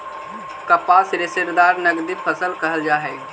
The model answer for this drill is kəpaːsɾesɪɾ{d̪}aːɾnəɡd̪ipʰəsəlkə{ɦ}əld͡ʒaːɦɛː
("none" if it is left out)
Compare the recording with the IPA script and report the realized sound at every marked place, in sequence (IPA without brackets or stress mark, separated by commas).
d̪, ɦ